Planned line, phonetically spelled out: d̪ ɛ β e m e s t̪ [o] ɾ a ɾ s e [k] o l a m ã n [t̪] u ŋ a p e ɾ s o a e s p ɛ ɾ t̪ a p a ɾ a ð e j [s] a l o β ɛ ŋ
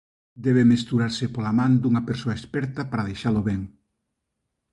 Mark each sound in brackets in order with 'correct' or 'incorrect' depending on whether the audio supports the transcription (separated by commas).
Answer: incorrect, incorrect, incorrect, incorrect